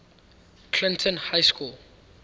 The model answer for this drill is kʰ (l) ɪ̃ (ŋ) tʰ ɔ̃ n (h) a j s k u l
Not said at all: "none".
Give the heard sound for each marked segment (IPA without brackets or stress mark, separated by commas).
l, n, h